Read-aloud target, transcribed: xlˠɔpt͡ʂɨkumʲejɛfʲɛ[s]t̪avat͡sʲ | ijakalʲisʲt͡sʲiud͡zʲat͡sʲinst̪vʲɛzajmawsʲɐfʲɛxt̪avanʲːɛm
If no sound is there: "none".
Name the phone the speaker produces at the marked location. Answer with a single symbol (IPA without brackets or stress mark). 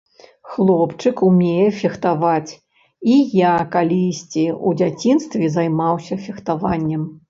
x